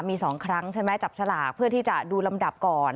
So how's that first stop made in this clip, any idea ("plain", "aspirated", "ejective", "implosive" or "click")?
aspirated